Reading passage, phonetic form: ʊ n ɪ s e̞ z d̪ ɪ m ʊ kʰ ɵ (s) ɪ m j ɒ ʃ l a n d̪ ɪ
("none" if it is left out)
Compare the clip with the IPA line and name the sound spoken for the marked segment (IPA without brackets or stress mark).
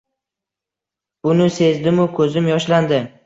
z